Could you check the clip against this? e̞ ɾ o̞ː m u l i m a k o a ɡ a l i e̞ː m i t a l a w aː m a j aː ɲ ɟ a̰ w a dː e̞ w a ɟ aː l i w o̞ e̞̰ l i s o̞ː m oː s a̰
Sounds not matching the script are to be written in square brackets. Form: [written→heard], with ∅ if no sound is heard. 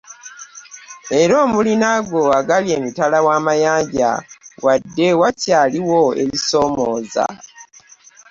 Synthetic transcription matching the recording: e̞ ɾ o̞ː m u l i [m→n] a [k→ɡ] o a ɡ a l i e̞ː m i t a l a w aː m a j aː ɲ ɟ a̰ w a dː e̞ w a [ɟ→c] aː l i w o̞ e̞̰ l i s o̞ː m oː [s→z] a̰